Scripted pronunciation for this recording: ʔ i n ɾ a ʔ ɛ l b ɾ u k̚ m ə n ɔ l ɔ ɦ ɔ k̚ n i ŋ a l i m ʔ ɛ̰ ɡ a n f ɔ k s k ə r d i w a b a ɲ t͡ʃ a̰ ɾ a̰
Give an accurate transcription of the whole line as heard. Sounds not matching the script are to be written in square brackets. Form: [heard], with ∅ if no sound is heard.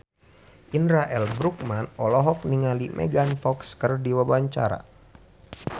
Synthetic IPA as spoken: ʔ i n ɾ a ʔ ɛ l b ɾ u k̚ m [a] n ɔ l ɔ ɦ ɔ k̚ n i ŋ a l i m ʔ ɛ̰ ɡ a n f ɔ k s k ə r d i w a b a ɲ t͡ʃ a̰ ɾ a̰